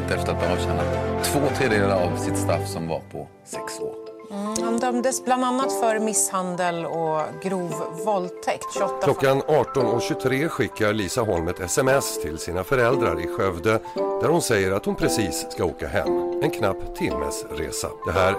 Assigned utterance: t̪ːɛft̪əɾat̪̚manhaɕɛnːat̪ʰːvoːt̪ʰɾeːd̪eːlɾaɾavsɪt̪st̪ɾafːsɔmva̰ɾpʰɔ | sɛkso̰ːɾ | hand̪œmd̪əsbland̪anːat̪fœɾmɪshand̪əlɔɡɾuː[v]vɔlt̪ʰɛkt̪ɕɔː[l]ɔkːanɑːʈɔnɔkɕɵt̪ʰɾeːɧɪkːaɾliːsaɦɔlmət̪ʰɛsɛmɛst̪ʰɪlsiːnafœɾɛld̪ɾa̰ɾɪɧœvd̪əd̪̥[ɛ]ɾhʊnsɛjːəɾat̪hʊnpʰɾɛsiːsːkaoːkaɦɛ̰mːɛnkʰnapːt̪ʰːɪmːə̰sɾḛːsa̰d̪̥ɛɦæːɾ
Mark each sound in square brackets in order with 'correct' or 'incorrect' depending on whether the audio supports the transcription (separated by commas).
correct, correct, incorrect